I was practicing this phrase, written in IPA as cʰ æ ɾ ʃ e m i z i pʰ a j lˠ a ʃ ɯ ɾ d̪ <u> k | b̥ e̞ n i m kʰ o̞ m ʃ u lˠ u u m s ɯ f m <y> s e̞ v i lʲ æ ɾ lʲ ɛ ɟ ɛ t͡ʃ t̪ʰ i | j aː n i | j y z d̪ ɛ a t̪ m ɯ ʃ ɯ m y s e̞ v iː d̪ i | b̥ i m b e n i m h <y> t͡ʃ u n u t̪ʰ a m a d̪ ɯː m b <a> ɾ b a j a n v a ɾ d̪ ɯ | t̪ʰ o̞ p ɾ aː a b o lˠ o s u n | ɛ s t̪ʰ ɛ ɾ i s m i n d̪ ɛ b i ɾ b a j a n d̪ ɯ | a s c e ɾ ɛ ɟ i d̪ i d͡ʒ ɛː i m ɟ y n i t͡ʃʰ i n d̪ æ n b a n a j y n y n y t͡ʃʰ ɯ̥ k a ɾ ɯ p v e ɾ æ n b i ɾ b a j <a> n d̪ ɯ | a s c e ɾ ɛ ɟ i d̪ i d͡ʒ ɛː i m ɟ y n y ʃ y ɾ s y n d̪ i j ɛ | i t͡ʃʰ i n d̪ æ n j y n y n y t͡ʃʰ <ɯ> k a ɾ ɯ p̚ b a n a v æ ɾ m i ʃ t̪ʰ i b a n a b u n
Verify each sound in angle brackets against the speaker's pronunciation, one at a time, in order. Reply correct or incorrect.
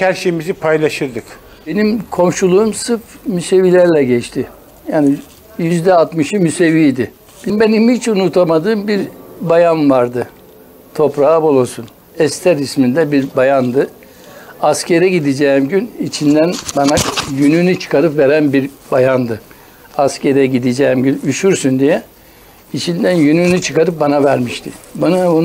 incorrect, correct, incorrect, incorrect, correct, correct

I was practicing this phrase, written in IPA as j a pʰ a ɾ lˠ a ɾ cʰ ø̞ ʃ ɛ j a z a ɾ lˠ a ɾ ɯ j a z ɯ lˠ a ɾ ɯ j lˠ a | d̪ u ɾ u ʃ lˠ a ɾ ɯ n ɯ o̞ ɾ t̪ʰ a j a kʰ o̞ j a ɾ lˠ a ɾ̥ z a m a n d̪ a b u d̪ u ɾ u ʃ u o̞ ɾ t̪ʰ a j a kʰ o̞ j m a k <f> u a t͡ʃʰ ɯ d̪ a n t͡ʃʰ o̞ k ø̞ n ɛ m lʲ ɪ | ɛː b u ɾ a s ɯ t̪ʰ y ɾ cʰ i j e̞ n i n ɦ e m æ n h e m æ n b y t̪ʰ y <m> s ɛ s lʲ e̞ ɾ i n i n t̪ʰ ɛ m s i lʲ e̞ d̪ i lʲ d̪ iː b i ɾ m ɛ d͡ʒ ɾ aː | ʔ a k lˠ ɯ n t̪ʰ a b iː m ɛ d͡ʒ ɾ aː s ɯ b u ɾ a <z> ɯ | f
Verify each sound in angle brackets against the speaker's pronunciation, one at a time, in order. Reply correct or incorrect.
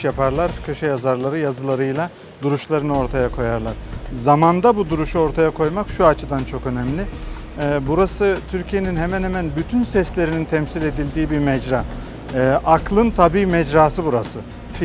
incorrect, incorrect, incorrect

